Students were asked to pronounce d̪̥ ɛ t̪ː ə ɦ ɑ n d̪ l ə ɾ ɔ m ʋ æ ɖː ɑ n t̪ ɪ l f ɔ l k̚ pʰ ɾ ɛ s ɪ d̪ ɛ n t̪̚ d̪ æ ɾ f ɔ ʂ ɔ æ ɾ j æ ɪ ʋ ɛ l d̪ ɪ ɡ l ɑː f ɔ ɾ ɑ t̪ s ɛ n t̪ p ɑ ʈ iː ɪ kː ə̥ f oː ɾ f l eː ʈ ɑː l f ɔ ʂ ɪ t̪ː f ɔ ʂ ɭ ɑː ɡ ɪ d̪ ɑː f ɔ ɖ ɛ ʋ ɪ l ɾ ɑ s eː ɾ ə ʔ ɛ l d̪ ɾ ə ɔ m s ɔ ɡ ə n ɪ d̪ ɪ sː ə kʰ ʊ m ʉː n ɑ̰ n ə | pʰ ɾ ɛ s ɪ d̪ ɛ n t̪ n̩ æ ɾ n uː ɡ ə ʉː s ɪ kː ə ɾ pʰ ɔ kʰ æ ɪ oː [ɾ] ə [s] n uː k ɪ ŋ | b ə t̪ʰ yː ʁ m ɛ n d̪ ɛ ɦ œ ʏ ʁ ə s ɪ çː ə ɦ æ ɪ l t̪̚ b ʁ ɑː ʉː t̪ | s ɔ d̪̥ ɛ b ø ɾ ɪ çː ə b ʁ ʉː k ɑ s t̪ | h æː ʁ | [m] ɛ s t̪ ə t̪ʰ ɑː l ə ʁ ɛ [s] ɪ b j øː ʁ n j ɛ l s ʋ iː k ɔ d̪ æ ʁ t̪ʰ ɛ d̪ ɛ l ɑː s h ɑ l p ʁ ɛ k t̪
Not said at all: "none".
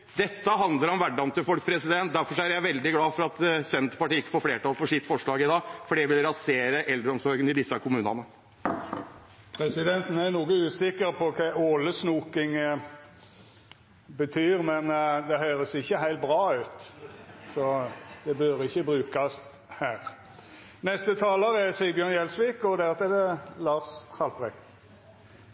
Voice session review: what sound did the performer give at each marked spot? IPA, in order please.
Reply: l, s, n, s

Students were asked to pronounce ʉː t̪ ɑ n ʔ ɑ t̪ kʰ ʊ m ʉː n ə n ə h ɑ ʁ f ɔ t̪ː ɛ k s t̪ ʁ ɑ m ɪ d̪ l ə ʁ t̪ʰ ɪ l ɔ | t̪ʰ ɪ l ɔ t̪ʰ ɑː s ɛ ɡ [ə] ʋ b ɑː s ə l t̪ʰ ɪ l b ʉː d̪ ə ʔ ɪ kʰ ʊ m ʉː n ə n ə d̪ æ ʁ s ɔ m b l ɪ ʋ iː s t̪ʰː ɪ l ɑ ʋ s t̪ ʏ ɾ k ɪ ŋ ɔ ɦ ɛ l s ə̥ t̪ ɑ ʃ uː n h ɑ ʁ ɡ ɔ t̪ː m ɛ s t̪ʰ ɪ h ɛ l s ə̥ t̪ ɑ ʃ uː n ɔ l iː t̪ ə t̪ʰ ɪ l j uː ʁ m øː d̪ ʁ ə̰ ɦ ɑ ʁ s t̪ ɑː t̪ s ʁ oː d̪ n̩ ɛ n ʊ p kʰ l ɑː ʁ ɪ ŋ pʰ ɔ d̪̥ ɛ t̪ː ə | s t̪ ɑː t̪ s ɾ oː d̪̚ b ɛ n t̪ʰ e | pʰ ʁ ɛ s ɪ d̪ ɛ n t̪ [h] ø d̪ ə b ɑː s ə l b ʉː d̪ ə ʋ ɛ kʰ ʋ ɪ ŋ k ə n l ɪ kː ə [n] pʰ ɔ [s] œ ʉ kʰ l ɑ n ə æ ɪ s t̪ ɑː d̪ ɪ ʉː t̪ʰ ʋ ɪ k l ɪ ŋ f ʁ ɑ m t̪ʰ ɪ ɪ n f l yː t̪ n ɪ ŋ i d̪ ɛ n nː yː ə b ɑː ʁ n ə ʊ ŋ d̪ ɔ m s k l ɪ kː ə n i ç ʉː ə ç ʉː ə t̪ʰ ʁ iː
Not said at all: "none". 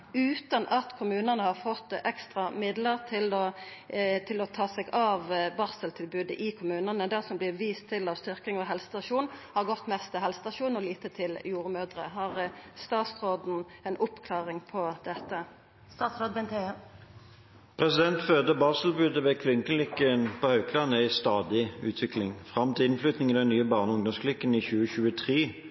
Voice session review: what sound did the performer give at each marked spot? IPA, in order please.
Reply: ɑ, f, n, h

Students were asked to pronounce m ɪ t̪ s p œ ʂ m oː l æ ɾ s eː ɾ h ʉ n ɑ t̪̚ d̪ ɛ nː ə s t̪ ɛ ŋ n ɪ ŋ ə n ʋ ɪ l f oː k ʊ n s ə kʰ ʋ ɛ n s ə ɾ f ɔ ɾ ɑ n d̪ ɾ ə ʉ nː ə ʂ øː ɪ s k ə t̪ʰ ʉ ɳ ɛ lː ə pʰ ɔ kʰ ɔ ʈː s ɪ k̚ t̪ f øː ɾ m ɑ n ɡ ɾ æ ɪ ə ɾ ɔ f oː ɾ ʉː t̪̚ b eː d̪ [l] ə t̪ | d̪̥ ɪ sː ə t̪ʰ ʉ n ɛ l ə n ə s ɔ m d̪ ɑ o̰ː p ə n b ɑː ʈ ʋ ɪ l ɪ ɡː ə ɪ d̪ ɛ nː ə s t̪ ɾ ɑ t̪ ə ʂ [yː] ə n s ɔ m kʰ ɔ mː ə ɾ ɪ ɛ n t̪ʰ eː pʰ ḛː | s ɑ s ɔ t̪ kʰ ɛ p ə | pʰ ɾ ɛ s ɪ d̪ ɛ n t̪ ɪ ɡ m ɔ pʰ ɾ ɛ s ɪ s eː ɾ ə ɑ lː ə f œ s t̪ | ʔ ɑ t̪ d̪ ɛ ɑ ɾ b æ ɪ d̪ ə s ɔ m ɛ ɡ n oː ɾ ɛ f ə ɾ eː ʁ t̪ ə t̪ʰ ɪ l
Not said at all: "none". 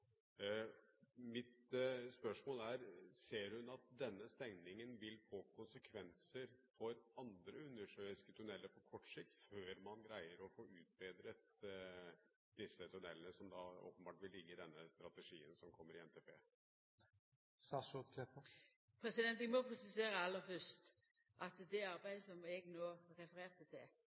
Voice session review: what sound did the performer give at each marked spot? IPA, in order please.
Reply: ɾ, iː

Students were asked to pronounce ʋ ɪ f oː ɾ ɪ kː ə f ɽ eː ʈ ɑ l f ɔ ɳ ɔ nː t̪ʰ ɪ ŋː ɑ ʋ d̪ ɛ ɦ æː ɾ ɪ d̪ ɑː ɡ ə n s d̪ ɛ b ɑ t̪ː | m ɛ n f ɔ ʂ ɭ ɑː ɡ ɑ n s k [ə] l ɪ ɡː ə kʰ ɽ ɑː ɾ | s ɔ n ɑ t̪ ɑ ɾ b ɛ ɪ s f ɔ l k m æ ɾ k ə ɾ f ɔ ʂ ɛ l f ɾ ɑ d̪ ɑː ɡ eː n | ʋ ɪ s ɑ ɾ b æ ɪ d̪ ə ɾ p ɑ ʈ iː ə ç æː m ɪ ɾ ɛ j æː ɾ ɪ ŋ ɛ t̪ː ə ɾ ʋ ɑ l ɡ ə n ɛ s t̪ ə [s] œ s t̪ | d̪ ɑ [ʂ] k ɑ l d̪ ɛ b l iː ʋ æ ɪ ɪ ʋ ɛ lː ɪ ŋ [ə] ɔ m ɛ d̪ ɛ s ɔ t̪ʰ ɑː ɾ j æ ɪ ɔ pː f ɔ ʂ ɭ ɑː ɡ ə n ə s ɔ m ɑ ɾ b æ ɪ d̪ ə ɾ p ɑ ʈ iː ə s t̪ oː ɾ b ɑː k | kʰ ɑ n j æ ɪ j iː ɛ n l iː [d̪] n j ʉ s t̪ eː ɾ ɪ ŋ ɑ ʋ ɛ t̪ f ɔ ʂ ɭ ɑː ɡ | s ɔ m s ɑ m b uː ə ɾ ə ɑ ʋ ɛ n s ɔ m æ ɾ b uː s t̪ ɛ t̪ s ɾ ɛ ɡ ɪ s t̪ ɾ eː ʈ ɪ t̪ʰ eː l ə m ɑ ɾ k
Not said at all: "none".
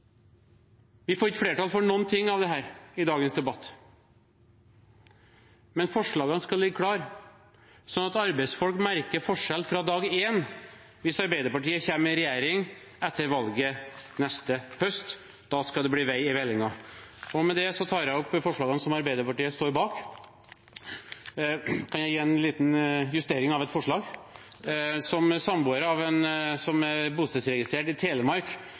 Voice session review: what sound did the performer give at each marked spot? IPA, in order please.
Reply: ɑ, h, s, ɑ, t̪

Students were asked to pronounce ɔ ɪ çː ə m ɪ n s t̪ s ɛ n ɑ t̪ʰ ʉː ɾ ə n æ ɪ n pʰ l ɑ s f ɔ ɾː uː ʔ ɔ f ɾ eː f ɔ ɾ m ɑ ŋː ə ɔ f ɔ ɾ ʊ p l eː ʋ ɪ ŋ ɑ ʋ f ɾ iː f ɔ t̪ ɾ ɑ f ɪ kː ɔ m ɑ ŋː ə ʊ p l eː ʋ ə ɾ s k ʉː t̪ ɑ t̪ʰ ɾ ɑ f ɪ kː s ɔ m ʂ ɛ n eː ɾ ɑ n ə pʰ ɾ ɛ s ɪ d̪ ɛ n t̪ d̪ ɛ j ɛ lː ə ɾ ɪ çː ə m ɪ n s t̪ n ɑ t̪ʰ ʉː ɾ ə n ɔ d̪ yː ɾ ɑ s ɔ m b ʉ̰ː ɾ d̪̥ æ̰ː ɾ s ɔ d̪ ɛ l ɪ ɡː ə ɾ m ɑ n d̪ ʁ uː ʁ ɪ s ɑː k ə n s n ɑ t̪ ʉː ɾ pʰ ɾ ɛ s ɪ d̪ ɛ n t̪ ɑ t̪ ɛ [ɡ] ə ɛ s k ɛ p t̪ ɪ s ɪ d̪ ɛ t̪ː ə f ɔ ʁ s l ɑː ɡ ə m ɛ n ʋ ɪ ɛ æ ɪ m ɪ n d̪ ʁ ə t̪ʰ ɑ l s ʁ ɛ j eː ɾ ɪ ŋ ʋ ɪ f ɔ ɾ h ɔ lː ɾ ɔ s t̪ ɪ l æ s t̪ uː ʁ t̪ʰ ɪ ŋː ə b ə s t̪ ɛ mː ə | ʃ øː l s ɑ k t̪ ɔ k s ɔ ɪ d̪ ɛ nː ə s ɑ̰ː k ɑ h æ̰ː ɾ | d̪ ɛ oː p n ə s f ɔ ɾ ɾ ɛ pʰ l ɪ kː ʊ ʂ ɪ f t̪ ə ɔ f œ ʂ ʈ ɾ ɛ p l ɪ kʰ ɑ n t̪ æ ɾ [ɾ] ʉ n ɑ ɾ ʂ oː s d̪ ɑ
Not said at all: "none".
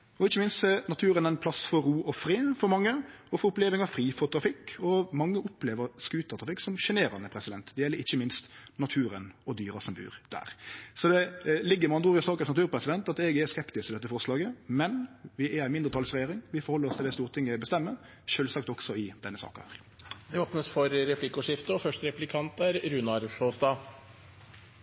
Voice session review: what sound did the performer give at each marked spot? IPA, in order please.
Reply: ɡ, ɾ

